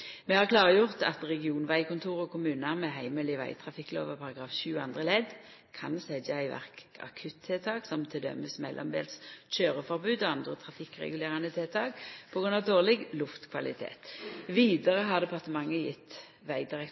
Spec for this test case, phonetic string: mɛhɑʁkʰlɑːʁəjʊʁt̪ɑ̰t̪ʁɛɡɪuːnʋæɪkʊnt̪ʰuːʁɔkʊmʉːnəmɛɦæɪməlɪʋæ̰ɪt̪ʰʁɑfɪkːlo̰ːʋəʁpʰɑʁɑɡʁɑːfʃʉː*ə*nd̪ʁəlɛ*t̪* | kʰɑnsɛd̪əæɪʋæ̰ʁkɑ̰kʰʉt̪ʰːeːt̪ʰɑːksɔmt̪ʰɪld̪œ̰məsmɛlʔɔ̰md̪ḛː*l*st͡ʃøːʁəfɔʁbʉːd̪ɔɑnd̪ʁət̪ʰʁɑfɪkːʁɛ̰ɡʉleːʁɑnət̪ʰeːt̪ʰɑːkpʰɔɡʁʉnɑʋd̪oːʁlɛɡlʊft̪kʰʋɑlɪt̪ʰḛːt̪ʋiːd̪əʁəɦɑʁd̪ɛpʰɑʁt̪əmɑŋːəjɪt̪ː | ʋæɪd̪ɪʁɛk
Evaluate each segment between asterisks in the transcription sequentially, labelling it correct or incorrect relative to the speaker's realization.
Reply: incorrect, incorrect, correct

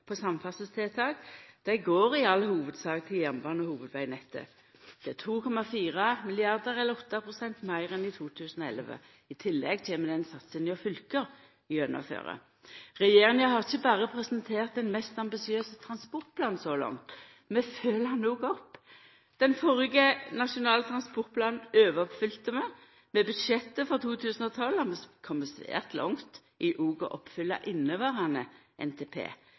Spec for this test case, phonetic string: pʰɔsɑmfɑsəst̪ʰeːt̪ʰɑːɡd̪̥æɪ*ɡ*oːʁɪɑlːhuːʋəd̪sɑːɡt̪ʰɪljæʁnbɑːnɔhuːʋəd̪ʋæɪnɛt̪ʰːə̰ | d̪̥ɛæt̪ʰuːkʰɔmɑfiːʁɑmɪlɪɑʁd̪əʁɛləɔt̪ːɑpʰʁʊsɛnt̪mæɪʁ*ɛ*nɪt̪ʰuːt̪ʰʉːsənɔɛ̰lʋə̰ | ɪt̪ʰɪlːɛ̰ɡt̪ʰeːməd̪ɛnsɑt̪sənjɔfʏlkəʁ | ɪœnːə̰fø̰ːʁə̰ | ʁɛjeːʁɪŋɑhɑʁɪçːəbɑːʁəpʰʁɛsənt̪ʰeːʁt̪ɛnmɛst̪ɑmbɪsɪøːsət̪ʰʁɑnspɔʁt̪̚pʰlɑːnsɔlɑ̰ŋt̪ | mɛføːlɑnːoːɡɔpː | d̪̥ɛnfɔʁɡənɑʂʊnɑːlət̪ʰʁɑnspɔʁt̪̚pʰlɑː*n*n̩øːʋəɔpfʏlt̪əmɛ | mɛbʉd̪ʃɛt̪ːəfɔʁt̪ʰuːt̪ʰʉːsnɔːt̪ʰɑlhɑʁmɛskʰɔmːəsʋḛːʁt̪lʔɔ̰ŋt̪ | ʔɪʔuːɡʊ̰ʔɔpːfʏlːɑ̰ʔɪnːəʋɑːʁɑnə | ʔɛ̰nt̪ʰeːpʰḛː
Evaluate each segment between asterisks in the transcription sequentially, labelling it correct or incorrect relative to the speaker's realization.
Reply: correct, correct, correct

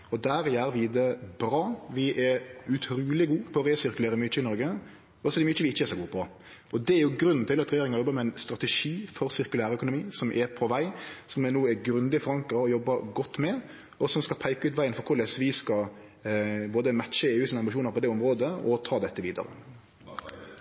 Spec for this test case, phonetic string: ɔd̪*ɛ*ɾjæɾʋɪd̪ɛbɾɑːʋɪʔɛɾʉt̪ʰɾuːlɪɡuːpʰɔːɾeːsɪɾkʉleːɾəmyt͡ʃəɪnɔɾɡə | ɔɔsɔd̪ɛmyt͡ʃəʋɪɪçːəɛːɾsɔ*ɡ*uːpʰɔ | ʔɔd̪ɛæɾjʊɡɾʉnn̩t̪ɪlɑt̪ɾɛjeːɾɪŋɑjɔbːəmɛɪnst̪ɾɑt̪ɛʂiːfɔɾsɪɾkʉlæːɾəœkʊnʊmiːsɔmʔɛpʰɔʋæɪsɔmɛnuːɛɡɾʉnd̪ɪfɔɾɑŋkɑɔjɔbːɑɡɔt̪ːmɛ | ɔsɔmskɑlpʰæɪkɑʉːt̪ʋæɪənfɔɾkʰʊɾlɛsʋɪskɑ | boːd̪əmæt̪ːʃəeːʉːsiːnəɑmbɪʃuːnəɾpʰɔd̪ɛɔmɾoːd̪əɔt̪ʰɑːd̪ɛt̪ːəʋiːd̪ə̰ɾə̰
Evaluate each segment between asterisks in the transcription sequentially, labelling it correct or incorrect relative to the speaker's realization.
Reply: incorrect, correct

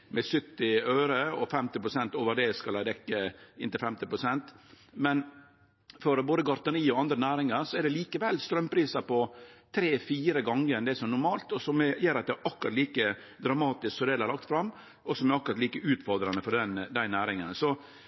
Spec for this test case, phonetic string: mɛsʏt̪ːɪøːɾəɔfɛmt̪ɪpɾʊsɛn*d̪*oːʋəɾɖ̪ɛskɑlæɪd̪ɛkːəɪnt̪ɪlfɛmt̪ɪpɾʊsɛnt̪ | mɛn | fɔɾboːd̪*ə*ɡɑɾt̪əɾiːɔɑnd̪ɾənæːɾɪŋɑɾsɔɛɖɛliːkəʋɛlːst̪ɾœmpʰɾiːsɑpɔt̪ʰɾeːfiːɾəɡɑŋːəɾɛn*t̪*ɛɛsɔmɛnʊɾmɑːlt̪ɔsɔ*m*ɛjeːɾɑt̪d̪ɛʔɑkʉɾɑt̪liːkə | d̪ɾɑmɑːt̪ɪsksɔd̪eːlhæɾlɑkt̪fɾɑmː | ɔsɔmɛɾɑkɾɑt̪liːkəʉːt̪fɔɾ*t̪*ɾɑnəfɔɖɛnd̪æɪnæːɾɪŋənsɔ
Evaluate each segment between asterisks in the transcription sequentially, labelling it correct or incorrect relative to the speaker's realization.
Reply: incorrect, correct, incorrect, correct, incorrect

